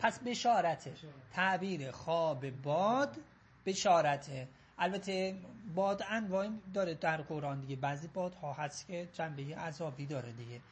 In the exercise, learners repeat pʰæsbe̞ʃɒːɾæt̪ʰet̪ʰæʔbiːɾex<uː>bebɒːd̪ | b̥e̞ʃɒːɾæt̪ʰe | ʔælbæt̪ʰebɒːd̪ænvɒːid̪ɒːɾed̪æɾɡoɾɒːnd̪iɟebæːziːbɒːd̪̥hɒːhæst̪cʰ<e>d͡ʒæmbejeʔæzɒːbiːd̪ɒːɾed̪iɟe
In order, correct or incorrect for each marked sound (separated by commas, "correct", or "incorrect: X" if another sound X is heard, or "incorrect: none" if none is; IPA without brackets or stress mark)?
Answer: incorrect: ɒː, correct